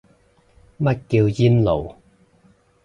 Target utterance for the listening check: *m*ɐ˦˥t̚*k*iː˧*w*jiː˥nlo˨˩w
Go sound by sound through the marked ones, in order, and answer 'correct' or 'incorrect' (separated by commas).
correct, correct, correct